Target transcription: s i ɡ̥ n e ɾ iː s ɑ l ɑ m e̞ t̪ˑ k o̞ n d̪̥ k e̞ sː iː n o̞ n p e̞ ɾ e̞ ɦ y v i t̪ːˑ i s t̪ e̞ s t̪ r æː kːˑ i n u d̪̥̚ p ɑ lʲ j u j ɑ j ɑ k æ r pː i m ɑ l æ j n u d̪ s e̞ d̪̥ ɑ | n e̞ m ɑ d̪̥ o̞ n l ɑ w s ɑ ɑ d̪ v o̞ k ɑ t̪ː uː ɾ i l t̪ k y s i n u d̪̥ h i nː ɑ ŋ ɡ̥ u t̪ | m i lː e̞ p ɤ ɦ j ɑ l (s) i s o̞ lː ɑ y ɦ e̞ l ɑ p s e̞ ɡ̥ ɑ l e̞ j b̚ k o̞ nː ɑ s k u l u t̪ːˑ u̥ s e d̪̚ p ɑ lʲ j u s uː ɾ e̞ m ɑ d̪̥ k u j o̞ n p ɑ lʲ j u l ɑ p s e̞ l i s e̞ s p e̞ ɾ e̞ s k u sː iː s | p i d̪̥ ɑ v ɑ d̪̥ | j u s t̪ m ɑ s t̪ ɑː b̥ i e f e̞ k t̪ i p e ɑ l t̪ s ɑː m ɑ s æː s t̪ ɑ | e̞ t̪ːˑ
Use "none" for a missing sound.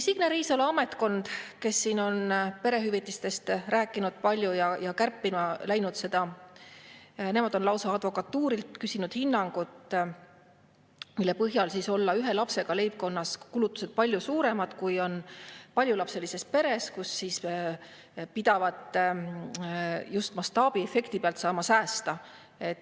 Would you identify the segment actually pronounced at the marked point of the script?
s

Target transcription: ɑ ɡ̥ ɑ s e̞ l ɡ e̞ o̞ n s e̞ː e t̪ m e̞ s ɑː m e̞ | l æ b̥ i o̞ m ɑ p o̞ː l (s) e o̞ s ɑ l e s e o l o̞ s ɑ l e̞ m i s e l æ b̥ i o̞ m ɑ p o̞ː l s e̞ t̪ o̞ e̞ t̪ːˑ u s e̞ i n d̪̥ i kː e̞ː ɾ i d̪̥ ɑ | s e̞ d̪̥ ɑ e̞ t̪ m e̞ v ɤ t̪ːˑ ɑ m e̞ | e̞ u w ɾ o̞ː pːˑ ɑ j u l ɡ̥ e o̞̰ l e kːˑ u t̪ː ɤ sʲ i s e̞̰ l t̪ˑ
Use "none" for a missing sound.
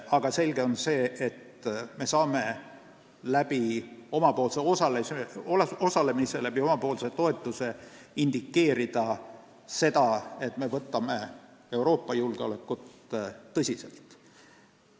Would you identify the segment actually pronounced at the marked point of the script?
s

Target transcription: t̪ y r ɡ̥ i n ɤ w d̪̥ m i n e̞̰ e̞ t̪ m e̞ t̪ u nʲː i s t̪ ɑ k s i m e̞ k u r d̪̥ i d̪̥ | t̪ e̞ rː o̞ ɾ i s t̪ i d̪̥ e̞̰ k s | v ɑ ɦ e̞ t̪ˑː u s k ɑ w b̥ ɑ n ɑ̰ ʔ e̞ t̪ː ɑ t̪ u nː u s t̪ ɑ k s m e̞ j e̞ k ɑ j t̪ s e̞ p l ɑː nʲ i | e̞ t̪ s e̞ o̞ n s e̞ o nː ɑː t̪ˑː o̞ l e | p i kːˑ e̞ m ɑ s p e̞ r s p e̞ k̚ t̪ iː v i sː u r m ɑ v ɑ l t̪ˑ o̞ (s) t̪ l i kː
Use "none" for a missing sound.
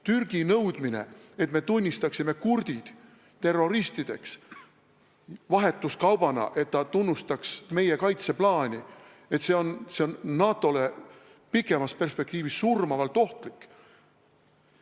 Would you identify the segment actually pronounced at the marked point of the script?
h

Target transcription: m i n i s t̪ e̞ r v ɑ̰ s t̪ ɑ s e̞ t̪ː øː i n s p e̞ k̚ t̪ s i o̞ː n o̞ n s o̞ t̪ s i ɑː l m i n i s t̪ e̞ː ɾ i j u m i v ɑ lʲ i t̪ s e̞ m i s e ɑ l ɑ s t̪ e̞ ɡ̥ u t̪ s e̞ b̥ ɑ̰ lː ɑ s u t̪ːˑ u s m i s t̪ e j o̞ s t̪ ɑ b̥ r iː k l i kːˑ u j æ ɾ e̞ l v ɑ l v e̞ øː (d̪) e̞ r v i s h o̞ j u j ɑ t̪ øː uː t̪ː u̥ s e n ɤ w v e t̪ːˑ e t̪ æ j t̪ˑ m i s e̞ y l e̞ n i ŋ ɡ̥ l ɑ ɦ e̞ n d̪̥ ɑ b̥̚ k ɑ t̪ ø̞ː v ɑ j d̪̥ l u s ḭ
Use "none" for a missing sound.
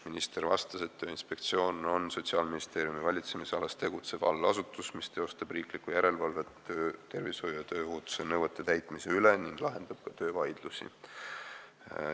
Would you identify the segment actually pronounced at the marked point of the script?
t̪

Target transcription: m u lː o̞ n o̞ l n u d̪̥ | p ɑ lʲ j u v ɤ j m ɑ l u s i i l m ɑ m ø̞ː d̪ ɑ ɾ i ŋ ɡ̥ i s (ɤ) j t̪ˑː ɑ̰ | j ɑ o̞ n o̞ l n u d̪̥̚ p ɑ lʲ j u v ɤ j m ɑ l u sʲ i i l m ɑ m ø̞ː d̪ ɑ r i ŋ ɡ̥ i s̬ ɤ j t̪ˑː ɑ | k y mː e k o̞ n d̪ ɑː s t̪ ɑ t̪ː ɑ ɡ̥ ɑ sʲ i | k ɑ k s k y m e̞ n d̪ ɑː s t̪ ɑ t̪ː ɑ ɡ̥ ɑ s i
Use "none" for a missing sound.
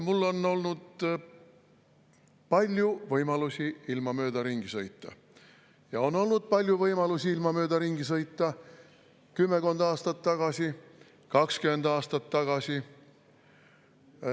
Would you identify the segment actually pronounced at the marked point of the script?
ɤ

